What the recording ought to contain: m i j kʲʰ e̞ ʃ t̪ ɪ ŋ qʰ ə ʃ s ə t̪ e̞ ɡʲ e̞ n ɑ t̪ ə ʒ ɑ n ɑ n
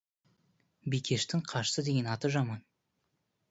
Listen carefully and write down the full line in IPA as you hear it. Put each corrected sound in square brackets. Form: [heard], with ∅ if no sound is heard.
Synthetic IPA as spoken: [b] i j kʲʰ e̞ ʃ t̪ ɪ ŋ qʰ [ɑ] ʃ s ə [d̪] e̞ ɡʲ e̞ n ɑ t̪ ə ʒ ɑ [m] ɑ n